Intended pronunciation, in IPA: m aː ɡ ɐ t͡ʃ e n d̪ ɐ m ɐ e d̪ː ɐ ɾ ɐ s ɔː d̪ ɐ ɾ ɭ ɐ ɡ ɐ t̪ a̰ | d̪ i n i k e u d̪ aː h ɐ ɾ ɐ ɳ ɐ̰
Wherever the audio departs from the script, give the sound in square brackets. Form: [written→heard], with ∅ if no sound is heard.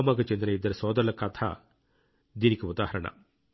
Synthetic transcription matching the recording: m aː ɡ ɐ t͡ʃ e n d̪ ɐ [m→n] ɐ [e→i] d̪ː ɐ ɾ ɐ s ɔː d̪ ɐ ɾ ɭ ɐ [ɡ→k] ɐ [t̪→t̪ʰ] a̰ | d̪ i n i k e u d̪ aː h ɐ ɾ ɐ ɳ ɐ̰